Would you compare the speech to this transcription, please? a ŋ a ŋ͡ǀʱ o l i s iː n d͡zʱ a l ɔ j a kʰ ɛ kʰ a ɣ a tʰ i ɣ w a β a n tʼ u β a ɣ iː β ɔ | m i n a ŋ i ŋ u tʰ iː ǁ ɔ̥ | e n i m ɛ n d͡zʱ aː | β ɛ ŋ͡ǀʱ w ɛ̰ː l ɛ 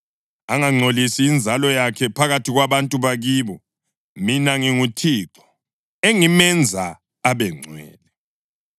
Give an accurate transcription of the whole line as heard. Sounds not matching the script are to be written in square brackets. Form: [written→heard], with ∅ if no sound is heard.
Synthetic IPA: a ŋ a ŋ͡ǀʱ o l i s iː n d͡zʱ a l ɔ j a kʰ ɛ [kʰ→pʰ] a ɣ a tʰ i ɣ w a β a n tʼ u β a ɣ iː β ɔ | m i n a ŋ i ŋ u tʰ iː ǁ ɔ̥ | e [n→ŋ] i m ɛ n d͡zʱ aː | β ɛ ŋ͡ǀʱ w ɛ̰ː l ɛ